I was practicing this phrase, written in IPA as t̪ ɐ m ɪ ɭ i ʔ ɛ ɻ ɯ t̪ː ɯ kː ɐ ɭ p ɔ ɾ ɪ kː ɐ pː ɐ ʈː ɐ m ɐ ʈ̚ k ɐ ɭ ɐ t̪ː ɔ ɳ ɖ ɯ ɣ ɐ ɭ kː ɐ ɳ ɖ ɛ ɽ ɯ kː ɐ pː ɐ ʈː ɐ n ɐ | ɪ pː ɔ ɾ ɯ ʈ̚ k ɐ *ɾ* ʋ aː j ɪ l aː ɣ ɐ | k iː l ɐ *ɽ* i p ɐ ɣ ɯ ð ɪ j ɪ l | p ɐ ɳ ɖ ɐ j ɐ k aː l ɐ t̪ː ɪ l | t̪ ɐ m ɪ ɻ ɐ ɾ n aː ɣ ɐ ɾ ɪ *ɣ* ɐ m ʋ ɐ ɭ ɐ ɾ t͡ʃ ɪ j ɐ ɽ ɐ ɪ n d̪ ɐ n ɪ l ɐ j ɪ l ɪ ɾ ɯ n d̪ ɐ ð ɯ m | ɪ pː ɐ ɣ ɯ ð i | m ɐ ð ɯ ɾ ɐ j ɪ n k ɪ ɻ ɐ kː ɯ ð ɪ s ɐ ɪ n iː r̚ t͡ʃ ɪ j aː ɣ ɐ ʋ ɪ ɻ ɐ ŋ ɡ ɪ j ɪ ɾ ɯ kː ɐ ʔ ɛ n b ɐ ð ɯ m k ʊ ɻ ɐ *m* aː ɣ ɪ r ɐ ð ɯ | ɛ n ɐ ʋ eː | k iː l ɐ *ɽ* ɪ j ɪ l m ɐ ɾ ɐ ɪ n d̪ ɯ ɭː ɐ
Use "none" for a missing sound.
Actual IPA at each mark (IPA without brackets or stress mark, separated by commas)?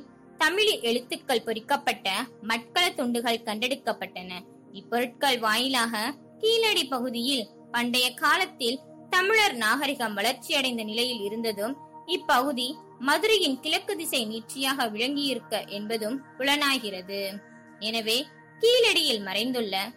ɭ, ɽ, ɣ, n, ɽ